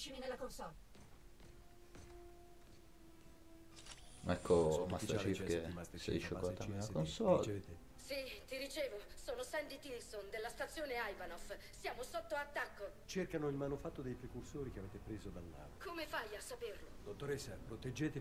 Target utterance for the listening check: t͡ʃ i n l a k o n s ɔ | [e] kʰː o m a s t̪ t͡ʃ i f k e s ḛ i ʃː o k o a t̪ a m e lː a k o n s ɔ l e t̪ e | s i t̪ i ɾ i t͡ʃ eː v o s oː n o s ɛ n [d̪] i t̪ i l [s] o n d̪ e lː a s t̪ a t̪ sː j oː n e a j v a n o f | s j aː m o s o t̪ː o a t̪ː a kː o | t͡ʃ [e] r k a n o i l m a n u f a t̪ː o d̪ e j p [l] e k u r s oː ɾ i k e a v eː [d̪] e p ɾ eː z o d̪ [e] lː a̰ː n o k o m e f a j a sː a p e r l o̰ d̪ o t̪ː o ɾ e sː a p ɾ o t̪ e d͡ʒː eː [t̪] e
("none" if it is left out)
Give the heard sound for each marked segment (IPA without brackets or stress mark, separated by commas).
ɛ, d̪, s, e, ɾ, t̪, a, t̪